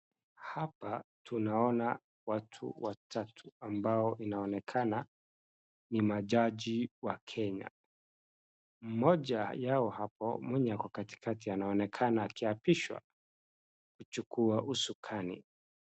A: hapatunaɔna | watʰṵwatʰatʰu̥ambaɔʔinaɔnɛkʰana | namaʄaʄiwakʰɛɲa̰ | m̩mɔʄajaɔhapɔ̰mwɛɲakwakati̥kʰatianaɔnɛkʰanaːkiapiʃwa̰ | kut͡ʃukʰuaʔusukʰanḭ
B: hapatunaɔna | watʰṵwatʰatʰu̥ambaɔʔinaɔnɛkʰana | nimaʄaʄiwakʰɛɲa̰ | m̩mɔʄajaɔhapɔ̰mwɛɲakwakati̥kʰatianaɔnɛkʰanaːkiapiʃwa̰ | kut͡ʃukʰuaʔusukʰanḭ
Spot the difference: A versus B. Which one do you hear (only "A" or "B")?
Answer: B